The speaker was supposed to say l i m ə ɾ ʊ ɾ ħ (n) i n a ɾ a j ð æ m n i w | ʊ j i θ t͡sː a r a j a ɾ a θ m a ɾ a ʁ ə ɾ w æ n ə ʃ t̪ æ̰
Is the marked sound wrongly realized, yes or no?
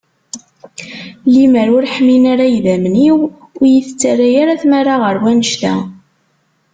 yes